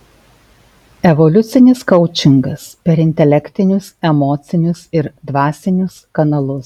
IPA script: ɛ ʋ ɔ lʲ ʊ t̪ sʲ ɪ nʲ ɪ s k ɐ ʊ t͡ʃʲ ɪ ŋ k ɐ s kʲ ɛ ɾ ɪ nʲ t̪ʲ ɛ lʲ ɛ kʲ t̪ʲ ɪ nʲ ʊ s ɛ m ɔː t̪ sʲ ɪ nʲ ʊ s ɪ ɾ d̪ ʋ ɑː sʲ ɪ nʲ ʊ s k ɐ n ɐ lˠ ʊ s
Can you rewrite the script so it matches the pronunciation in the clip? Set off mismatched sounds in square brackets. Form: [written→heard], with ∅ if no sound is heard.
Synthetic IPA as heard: ɛ ʋ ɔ lʲ ʊ t̪ sʲ ɪ nʲ ɪ s k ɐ ʊ t͡ʃʲ ɪ ŋ [k→ɡ] ɐ s [kʲ→pʲ] ɛ ɾ ɪ nʲ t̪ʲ ɛ lʲ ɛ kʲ t̪ʲ ɪ nʲ ʊ s ɛ m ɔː t̪ sʲ ɪ nʲ ʊ s ɪ ɾ d̪ ʋ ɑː sʲ ɪ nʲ ʊ s k ɐ n ɐ lˠ ʊ s